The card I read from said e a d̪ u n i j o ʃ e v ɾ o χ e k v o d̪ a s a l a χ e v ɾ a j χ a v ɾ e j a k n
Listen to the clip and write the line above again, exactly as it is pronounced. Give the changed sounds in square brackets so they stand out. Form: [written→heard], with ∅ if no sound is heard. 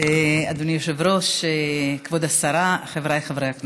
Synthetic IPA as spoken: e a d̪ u n i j o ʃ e v ɾ o [χ→ʃ] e k v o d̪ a s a [l→ɾ] a χ e v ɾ a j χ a v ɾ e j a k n

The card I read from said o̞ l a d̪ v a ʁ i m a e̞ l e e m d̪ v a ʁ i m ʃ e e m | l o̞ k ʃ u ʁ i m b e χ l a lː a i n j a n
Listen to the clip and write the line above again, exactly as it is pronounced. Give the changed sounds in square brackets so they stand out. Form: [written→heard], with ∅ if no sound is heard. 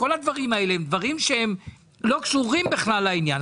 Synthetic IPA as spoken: o̞ l a d̪ v a ʁ i m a e̞ l e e m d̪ v a ʁ i m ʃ e e m | l o̞ k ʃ u ʁ i m b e χ l a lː a i n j a n

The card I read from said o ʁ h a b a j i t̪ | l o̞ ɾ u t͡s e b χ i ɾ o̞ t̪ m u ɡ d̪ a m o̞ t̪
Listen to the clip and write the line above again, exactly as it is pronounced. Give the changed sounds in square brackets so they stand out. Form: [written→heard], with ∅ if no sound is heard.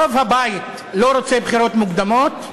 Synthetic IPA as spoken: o [ʁ→v] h a b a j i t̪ | l o̞ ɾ [u→o] t͡s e b χ i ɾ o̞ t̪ m u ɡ d̪ a m o̞ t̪

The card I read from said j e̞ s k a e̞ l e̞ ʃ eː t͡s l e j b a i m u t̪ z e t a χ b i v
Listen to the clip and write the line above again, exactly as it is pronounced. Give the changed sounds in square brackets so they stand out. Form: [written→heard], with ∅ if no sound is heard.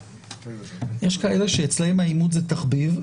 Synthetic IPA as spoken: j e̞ [s→ʃ] k a e̞ l e̞ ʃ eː t͡s l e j [b→m] a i m u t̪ z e t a χ b i v

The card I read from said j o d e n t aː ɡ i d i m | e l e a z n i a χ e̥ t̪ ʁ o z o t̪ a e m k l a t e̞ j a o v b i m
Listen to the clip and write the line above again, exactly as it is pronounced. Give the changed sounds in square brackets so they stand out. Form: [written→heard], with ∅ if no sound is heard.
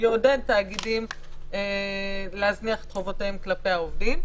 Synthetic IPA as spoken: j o d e n t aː ɡ i d i m | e l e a z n i a χ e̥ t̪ [ʁ→χ] o [z→v] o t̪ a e m k l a [t→p] e̞ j a o v [b→d] i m

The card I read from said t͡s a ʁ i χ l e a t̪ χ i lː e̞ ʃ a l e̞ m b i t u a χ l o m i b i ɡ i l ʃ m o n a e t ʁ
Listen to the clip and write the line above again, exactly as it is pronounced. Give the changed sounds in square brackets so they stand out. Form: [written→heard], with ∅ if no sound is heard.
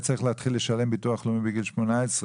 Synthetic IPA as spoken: t͡s a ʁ i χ l e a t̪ χ i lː e̞ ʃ a l e̞ m b i t u a χ l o m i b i ɡ i l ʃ m o n a e [t→s] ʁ

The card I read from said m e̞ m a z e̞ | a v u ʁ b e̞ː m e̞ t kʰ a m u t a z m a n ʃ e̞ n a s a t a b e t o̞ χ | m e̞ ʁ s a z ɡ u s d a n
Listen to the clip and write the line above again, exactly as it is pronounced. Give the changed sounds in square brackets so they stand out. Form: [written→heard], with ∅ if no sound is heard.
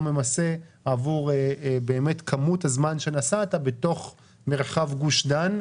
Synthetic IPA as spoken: m e̞ m a [z→s] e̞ | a v u ʁ b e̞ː m e̞ t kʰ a m u t a z m a n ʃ e̞ n a s a t a b e t o̞ χ | m e̞ ʁ [s→χ] a [z→v] ɡ u [s→ʃ] d a n

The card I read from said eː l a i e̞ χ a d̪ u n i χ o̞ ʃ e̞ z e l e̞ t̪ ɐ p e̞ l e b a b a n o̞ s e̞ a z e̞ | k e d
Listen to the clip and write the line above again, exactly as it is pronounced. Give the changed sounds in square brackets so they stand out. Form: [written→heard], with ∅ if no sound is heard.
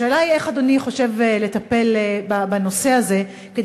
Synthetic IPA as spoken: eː l a i e̞ χ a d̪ [u→o] n i χ o̞ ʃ e̞ [z→v] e l e̞ t̪ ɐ p e̞ l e b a b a n o̞ s e̞ a z e̞ | k e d

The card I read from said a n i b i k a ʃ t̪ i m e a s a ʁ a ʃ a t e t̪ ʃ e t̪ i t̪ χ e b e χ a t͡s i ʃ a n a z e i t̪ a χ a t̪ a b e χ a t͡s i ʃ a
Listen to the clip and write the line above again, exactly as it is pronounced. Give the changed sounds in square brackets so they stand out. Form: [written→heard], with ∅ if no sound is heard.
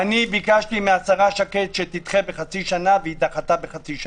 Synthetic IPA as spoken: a n i b i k a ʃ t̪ i m e a s a ʁ a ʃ a [t→k] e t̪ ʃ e t̪ i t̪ χ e b e χ a t͡s i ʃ a n a [z→v] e i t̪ a χ a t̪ a b e χ a t͡s i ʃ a

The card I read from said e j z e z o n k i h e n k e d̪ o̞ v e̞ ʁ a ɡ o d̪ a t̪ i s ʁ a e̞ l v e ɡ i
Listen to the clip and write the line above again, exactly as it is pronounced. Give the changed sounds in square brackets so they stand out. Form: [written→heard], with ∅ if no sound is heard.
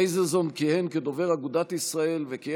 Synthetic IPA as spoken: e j z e z o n k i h e n k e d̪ o̞ v e̞ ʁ a ɡ [o→u] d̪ a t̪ i s ʁ a e̞ l v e [ɡ→k] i

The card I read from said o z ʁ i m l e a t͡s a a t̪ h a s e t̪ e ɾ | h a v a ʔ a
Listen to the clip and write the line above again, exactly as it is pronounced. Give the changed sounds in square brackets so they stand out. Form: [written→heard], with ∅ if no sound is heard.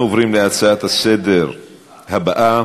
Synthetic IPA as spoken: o [z→v] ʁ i m l e a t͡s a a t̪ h a s e [t̪→d̪] e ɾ | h a [v→b] a ʔ a

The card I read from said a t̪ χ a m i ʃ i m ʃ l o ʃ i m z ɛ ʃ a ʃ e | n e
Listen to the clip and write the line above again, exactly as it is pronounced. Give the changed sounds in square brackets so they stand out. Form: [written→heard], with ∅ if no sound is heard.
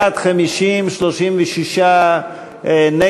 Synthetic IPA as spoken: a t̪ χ a m i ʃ i m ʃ l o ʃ i m [z→v] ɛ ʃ [a→i] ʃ [e→a] | n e

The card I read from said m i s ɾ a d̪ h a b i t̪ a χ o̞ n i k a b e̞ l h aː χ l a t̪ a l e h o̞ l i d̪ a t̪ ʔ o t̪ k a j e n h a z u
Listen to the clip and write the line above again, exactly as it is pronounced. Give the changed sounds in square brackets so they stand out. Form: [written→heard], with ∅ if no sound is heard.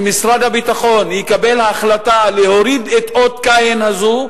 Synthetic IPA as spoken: m i s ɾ a d̪ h a b i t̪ a χ o̞ n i k a b e̞ l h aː χ l a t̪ a l e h o̞ [l→ɾ] i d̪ [a→e] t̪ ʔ o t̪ k a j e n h a z u

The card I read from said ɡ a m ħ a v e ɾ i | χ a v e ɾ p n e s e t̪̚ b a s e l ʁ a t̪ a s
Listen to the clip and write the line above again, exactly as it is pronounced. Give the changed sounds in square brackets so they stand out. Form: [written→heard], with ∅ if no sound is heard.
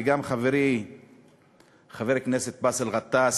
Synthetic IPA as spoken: ɡ a m [ħ→χ] a v e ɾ i | χ a v e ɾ [p→k] n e s e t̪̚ b a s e l ʁ a t̪ a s

